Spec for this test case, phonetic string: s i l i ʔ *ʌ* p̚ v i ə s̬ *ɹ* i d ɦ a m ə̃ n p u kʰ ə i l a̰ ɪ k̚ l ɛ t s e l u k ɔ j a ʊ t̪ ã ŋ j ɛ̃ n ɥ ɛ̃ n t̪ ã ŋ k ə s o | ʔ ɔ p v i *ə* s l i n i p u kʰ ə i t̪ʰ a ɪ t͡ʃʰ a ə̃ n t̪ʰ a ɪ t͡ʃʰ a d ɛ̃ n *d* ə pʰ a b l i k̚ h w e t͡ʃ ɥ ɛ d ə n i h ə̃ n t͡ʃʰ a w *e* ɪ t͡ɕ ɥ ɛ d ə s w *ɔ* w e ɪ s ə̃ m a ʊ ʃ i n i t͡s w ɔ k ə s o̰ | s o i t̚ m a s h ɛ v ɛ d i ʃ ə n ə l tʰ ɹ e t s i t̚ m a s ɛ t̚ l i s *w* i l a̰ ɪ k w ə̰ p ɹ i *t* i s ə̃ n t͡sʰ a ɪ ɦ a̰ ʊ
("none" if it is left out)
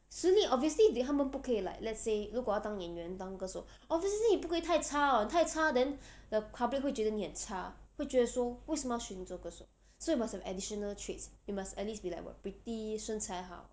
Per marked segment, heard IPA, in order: ɔ, l, ə, d, e, ɔ, b, t

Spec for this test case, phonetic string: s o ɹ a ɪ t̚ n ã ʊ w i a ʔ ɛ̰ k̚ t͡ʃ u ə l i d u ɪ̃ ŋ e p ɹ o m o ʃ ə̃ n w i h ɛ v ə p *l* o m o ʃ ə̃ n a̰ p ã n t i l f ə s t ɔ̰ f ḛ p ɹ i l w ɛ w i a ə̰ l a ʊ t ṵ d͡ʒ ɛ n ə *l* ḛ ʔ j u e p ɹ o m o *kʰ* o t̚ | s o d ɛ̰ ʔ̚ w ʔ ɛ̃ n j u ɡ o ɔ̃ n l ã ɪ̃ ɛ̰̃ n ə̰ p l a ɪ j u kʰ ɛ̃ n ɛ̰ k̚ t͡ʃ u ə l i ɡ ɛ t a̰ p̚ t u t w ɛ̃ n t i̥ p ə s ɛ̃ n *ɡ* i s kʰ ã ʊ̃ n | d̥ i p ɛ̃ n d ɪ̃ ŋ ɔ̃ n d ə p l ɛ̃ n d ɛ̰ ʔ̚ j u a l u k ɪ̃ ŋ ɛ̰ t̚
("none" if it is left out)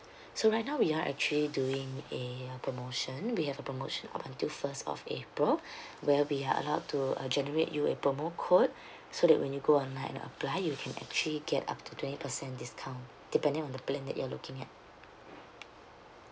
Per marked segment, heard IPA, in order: ɹ, ɹ, kʰ, d

